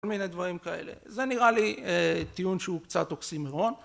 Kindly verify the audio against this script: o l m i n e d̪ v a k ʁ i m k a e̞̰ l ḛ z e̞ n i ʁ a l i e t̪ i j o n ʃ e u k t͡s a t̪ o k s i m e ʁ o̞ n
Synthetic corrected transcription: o l m i n e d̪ v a ʁ i m k a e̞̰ l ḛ z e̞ n i ʁ a l i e t̪ i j u n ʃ e u k t͡s a t̪ o k s i m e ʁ o̞ n